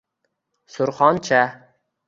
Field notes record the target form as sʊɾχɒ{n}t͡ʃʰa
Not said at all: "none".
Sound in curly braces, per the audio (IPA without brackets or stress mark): n